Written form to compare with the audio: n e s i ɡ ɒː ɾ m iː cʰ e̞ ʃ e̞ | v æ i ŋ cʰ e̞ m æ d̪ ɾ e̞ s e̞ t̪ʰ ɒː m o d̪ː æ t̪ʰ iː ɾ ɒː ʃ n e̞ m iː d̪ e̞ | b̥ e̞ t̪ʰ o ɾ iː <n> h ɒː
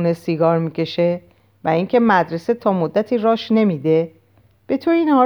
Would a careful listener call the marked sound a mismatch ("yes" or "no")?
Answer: no